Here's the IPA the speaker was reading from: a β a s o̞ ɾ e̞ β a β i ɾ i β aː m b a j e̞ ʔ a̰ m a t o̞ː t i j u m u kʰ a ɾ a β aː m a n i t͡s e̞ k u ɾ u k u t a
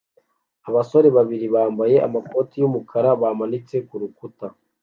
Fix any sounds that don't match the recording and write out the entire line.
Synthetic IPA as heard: a β a s o̞ ɾ e̞ β a β i ɾ i β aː m b a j e̞ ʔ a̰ m a k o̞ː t i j u m u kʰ a ɾ a β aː m a n i t͡s e̞ k u ɾ u k u t a